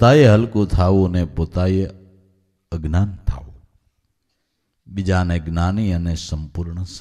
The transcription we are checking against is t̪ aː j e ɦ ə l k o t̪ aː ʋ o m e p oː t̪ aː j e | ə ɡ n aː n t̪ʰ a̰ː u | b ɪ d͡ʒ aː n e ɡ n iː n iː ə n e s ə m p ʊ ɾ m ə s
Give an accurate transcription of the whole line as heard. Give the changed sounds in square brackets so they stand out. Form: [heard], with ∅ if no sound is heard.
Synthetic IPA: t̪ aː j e ɦ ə l k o [t̪ʰ] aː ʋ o [n] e p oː t̪ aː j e | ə ɡ n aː n t̪ʰ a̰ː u | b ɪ d͡ʒ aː n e ɡ n [aː] n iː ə n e s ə m p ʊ ɾ [ɳ] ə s